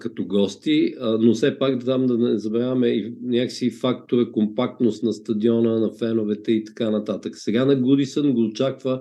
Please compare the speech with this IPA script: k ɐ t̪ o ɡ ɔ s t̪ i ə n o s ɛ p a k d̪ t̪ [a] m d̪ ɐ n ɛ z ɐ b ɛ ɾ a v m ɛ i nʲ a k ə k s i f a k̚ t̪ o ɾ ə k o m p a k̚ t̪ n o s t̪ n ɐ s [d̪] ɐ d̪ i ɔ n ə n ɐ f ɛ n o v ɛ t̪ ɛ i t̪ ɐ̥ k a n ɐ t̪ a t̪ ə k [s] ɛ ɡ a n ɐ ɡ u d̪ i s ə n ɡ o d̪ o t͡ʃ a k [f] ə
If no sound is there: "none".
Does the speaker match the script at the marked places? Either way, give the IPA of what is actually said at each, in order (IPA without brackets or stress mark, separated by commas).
a, t̪, s, v